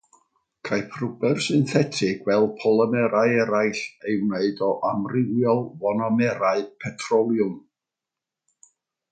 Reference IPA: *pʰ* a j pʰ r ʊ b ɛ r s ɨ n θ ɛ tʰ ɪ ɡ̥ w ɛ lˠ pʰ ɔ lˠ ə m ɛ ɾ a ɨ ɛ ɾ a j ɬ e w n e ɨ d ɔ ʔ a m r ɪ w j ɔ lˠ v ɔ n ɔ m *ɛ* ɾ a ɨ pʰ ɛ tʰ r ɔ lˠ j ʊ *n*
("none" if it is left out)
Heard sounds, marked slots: kʰ, ɛ, m

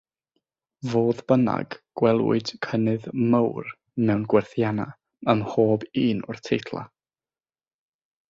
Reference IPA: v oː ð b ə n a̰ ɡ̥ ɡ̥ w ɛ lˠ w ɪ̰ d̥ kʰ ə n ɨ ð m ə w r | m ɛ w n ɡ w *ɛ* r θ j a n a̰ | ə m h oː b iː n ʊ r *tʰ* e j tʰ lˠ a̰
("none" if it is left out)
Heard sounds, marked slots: ɛ, tʰ

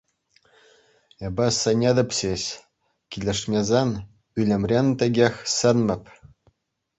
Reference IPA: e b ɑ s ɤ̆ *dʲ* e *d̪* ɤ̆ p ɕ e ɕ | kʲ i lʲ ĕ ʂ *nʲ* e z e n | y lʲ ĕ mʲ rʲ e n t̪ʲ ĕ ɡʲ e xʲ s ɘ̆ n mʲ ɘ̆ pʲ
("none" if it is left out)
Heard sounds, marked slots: nʲ, d̪, mʲ

